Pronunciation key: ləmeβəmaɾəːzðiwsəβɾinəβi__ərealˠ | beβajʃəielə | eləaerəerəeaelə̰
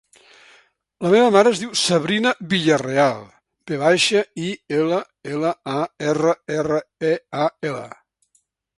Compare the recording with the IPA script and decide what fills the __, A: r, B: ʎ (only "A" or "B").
B